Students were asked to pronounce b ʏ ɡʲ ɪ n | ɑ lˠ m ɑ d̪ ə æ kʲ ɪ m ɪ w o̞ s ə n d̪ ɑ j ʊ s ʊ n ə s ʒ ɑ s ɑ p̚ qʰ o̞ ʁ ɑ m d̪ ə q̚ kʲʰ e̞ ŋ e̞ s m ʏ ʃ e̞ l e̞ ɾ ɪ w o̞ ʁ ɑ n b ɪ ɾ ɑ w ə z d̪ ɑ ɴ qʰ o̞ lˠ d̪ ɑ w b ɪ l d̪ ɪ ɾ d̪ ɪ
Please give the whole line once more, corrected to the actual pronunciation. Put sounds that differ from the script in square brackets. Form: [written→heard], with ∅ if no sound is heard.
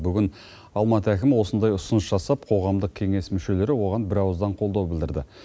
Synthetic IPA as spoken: b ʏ ɡʲ ɪ n | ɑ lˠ m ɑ [d̪→t̪] ə æ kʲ ɪ m ɪ w o̞ s ə n d̪ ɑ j ʊ s ʊ n ə s ʒ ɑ s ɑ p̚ qʰ o̞ ʁ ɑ m d̪ ə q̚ kʲʰ e̞ ŋ e̞ s m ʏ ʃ e̞ l e̞ ɾ ɪ w o̞ ʁ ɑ n b ɪ ɾ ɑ w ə z d̪ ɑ ɴ qʰ o̞ lˠ d̪ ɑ w b ɪ l d̪ ɪ ɾ d̪ ɪ